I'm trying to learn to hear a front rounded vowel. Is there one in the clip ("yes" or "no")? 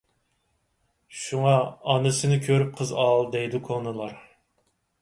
yes